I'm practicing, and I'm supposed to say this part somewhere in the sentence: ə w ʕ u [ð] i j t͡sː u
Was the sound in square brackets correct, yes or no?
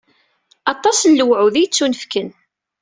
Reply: yes